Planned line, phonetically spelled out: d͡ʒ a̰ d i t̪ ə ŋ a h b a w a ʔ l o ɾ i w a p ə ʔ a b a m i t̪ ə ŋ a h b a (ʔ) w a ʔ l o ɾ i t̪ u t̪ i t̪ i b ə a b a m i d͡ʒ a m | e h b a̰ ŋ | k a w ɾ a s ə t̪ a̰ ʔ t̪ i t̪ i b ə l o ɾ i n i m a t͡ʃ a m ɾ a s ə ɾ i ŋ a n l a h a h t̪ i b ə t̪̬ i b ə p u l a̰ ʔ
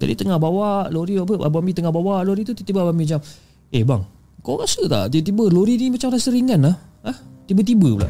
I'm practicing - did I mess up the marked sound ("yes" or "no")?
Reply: yes